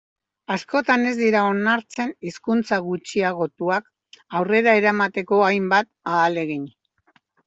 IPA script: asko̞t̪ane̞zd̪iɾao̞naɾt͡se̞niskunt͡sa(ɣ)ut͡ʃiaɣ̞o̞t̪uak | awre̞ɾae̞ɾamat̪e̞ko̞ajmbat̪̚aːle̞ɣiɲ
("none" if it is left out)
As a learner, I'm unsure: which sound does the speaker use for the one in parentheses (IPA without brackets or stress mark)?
ɣ